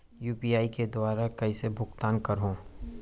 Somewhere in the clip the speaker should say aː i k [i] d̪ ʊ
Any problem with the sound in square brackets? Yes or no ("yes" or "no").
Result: yes